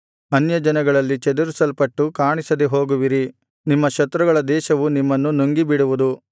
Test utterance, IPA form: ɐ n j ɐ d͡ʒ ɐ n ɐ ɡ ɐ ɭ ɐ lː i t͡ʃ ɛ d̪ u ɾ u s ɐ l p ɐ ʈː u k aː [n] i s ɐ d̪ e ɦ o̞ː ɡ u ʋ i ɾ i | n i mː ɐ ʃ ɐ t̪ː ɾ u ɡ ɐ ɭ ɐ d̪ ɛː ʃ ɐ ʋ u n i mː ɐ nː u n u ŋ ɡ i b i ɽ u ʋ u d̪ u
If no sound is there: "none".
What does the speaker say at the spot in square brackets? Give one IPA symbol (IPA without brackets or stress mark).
ɳ